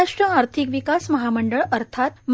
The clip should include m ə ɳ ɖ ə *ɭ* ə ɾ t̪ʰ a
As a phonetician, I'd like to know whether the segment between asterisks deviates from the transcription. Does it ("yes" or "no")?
no